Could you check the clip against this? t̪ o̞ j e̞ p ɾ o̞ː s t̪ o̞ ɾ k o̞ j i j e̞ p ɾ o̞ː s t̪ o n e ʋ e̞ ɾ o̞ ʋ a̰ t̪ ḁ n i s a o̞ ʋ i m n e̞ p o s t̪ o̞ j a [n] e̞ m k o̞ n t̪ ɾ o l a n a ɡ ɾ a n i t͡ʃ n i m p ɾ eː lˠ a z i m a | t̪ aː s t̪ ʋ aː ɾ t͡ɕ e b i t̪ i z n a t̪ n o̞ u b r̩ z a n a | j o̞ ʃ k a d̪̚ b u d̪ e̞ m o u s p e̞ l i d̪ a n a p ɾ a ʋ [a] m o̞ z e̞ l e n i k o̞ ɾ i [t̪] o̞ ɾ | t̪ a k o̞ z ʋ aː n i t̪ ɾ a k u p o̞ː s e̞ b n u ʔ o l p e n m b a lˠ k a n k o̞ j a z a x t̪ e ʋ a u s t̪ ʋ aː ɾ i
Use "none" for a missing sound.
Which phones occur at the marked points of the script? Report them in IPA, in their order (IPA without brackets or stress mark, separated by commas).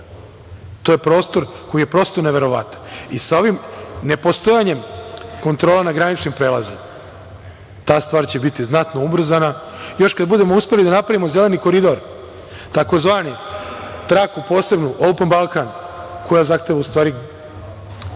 ɲ, i, d̪